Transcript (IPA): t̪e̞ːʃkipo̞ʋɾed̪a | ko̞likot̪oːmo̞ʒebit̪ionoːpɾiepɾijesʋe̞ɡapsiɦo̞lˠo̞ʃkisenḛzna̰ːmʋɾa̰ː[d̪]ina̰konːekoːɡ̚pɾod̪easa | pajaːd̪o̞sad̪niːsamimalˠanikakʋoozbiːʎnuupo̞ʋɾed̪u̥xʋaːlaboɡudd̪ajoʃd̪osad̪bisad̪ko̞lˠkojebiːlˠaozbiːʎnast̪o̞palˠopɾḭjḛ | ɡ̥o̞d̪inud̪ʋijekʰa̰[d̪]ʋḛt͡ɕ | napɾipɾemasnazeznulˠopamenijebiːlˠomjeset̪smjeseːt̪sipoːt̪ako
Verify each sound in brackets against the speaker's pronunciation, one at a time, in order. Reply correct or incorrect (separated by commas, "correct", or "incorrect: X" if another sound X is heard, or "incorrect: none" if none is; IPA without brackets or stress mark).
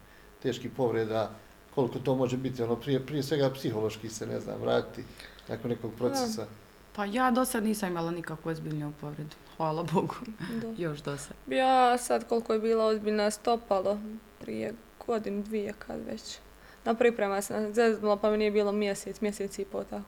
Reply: incorrect: t̪, correct